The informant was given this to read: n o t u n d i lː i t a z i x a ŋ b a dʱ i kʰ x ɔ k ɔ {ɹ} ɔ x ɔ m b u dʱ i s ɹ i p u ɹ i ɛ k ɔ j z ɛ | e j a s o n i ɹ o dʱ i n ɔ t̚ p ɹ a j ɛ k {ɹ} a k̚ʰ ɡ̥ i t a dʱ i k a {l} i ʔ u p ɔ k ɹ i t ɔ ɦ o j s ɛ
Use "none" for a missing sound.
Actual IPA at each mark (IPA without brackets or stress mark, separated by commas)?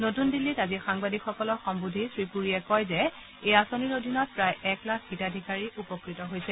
l, l, ɹ